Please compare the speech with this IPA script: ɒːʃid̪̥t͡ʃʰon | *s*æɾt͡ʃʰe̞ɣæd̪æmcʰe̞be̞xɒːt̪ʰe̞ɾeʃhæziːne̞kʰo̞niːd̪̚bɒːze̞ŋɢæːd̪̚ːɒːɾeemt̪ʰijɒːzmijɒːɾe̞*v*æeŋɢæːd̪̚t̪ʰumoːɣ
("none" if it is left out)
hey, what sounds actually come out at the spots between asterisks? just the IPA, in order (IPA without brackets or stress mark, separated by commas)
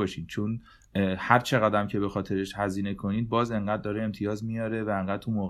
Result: h, v